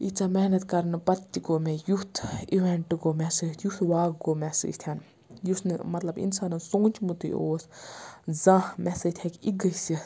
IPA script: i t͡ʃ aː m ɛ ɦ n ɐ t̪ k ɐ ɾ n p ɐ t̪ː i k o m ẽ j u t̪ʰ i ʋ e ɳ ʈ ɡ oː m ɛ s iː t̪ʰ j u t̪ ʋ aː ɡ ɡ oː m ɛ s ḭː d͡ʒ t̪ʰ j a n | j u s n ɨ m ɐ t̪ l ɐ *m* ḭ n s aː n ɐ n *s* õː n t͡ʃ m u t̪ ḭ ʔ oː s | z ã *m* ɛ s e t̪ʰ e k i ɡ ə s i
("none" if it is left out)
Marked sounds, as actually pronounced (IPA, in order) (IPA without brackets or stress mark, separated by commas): b, s, m